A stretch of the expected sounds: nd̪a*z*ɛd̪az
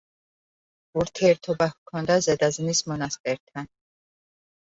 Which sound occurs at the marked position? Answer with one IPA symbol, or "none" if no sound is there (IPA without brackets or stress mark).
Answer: z